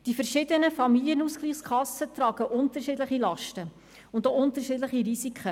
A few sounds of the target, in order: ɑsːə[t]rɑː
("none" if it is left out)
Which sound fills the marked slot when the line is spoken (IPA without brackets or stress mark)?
t